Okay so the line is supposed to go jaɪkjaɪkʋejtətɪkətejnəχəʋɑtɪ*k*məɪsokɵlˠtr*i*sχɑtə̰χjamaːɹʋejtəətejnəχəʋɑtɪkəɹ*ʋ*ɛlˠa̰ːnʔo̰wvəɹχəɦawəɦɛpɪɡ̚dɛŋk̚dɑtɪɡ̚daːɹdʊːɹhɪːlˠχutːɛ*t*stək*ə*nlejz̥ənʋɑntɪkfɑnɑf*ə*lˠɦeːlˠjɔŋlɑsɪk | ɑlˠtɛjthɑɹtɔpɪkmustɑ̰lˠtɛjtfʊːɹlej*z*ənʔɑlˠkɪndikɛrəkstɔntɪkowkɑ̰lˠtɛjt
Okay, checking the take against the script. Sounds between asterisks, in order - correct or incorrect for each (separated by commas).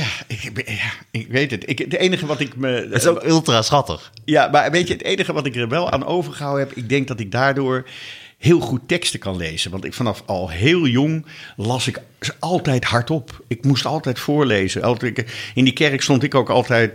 correct, incorrect, correct, incorrect, incorrect, incorrect, correct